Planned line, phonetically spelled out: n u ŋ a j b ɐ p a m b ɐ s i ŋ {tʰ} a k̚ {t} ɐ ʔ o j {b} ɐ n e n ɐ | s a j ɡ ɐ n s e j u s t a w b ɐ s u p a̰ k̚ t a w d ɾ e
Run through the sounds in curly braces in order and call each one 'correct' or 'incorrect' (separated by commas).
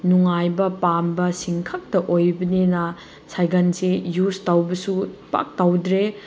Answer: incorrect, correct, correct